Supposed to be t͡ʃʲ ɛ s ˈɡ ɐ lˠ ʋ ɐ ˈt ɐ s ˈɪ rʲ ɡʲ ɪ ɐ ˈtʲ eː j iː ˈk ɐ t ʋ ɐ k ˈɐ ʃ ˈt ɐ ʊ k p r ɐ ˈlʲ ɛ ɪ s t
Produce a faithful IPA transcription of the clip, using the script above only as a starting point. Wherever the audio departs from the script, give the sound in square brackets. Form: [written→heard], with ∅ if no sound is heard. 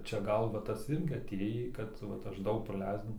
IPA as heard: t͡ʃʲ ɛ [s→∅] ˈɡ ɐ lˠ ʋ ɐ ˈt ɐ s ˈɪ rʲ ɡʲ ɪ ɐ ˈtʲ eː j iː ˈk ɐ t ʋ ɐ [k→t] ˈɐ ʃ [ˈt→ˈd] ɐ ʊ k p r ɐ ˈlʲ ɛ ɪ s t

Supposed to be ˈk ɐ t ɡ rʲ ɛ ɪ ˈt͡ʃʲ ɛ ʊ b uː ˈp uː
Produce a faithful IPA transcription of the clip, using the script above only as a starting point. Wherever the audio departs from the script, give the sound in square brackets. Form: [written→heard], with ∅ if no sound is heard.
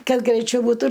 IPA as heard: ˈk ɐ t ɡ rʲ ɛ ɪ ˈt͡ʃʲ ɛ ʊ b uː [ˈp→ˈt] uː

